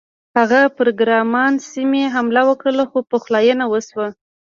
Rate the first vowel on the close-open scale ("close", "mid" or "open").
open